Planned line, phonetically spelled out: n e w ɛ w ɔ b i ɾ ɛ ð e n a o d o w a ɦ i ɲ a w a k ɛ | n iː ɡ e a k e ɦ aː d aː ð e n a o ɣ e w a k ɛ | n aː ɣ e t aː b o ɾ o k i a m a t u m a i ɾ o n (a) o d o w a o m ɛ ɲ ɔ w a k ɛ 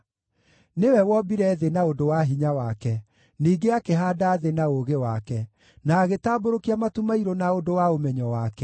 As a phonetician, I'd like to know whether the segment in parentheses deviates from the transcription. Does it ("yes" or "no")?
no